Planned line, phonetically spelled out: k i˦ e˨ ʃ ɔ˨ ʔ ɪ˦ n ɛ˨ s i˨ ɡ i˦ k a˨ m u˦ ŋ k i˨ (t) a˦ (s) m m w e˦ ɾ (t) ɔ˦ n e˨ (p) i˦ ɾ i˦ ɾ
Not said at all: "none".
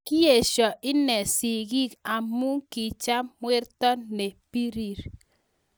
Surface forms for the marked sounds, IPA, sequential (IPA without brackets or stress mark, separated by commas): t͡ʃ, none, t, p